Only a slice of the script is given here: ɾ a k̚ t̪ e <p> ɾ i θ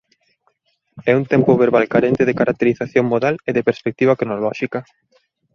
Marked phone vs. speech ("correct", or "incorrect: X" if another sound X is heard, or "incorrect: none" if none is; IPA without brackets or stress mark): incorrect: none